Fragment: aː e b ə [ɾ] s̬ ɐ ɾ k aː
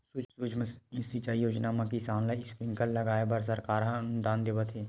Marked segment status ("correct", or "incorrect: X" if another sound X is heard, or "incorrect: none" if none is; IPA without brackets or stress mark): correct